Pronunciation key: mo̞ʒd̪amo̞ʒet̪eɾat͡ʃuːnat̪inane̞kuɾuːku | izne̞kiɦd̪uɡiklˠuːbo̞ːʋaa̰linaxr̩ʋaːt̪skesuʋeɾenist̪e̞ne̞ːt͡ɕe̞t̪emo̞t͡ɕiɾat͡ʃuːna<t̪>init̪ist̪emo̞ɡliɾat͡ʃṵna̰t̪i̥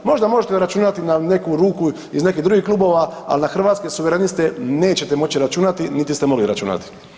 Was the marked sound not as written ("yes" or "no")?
no